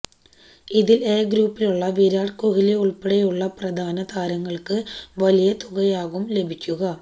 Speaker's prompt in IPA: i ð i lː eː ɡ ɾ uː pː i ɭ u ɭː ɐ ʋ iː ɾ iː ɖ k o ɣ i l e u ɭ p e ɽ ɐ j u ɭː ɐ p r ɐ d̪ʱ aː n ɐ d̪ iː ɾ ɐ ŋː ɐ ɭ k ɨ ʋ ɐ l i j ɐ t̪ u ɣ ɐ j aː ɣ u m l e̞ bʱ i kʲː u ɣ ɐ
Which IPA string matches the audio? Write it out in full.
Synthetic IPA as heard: i ð i l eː ɡ ɾ uː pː i l u ɭː ɐ ʋ iː ɾ aː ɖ k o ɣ i l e u ɭ p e ɽ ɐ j u ɭː ɐ p r ɐ d̪ʱ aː n ɐ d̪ aː ɾ ɐ ŋː ɐ ɭ k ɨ ʋ ɐ l i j ɐ t̪ u ɣ ɐ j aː ɣ u m l e̞ bʱ i kʲː u ɣ ɐ